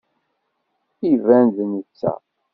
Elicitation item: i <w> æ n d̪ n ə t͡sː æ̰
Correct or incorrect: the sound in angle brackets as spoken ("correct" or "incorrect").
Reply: incorrect